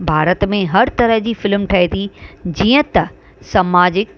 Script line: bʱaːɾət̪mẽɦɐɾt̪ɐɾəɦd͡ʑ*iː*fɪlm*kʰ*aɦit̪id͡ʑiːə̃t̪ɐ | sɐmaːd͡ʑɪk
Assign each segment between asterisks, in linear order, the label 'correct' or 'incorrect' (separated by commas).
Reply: correct, incorrect